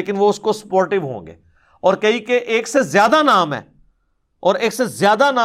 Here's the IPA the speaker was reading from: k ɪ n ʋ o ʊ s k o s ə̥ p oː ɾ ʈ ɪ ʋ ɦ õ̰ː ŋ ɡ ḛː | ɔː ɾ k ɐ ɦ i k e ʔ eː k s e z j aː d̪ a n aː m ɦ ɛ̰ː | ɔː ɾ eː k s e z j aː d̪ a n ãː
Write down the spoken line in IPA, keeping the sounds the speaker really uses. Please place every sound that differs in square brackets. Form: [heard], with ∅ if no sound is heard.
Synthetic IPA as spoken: k ɪ n ʋ o ʊ s k o s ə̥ p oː ɾ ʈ ɪ ʋ ɦ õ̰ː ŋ ɡ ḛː | ɔː ɾ k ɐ ɦ i k e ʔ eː k s e z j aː d̪ a n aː m ɦ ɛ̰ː | ɔː ɾ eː k s e z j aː d̪ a n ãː